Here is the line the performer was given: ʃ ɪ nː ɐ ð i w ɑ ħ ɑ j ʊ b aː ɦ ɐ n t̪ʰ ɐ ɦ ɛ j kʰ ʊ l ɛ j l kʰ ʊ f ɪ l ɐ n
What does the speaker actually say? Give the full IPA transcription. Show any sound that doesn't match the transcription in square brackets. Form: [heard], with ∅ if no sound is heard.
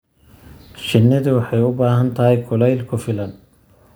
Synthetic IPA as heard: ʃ ɪ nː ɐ ð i w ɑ ħ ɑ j ʊ b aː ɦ ɐ n t̪ʰ ɐ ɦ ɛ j kʰ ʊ l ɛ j l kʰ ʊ f ɪ l ɐ n